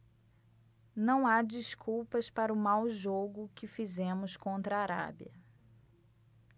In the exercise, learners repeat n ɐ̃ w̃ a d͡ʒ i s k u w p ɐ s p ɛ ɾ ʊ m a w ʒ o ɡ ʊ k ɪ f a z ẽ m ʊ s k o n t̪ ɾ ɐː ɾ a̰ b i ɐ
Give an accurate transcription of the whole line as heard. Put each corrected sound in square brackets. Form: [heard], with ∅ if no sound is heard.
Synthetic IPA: n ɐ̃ w̃ a d͡ʒ i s k u w p ɐ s p [a] ɾ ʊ m a w ʒ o ɡ ʊ k ɪ f [i] z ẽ m ʊ s k [õ] n t̪ ɾ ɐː ɾ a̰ b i ɐ